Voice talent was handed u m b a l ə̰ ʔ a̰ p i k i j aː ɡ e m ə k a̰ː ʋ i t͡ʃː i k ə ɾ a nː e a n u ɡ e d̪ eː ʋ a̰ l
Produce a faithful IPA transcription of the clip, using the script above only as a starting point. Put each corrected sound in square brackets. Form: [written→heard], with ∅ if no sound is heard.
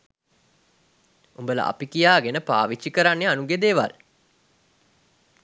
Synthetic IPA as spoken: u m b [a→ə] l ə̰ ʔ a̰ p i k i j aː ɡ e [m→n] ə [k→p] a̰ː ʋ i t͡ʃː i k ə ɾ a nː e a n u ɡ e d̪ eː ʋ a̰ l